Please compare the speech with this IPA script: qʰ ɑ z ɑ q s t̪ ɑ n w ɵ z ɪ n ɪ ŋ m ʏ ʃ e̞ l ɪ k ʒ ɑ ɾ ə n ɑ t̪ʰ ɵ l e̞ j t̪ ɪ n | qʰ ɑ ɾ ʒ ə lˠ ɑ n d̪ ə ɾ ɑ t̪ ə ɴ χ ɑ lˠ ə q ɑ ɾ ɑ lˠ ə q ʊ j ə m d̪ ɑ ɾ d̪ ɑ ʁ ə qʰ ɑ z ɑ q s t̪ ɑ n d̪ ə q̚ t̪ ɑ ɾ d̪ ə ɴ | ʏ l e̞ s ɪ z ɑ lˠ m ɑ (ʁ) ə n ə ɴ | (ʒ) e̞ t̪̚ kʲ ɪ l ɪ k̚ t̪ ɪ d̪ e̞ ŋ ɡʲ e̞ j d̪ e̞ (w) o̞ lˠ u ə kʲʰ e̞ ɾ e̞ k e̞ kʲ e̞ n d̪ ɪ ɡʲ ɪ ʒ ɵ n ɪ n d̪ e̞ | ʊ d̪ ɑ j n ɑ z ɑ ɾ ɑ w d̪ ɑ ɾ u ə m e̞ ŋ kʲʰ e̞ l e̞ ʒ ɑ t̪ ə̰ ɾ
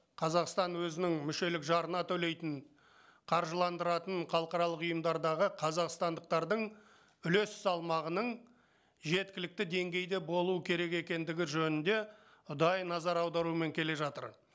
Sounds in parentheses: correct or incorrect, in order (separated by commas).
correct, correct, incorrect